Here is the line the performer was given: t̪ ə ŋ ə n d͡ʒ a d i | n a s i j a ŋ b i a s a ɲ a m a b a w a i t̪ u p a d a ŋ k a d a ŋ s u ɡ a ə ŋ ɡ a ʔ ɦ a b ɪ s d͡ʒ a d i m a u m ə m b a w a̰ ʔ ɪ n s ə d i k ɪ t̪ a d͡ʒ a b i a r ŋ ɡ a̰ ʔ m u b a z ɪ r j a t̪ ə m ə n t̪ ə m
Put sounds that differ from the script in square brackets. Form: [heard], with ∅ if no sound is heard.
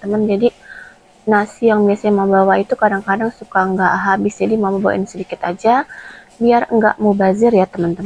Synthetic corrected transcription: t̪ ə [m] ə n d͡ʒ a d i | n a s i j a ŋ b i a s a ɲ a m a b a w a i t̪ u [k] a d a ŋ k a d a ŋ s u [k] a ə ŋ ɡ a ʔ ɦ a b ɪ s d͡ʒ a d i m a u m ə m b a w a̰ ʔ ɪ n s ə d i k ɪ t̪ a d͡ʒ a b i a r ŋ ɡ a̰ ʔ m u b a z ɪ r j a t̪ ə m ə n t̪ ə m